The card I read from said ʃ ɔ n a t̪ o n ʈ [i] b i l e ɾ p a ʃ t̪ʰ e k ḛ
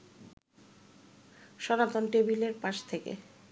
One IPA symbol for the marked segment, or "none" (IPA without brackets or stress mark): e